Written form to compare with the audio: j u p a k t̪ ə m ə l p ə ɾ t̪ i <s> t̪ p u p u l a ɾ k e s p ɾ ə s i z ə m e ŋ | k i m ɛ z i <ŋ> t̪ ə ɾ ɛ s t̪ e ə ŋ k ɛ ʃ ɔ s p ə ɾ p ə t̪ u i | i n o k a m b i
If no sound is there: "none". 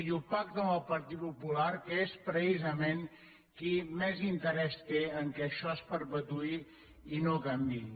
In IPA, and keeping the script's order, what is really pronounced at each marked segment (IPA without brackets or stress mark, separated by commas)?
none, n